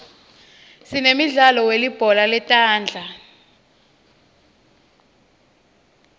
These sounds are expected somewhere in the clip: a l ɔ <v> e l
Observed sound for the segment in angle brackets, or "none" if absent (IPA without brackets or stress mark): w